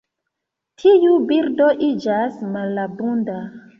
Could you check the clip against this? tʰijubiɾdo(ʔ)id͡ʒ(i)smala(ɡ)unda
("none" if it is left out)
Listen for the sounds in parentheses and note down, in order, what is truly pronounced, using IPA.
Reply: ʔ, a, b

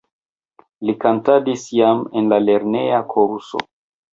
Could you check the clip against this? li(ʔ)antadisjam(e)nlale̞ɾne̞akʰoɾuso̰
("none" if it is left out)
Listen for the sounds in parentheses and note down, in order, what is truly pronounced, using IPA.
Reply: k, e

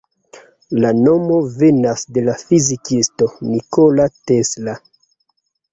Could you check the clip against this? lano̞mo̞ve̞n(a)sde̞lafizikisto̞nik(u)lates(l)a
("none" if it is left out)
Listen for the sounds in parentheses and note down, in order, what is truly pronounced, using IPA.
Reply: a, o, l

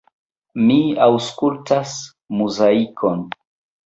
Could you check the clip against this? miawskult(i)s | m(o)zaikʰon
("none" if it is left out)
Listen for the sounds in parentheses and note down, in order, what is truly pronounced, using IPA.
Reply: a, u

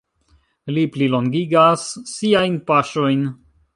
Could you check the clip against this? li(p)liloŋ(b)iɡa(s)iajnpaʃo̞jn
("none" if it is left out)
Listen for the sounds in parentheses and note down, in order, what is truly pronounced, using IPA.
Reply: p, ɡ, sː

